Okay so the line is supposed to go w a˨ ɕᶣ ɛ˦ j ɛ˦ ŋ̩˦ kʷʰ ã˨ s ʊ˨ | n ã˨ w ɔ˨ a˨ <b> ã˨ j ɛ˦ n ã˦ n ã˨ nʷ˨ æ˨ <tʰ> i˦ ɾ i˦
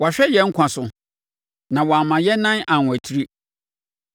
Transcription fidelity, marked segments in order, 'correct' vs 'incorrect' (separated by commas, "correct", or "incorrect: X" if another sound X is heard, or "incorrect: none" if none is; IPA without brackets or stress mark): incorrect: m, correct